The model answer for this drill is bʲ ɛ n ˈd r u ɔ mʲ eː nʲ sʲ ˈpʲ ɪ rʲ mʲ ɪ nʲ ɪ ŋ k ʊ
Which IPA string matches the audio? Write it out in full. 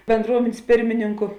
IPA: bʲ ɛ n ˈd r u ɔ mʲ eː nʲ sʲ ˈpʲ ɪ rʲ mʲ ɪ nʲ ɪ ŋ k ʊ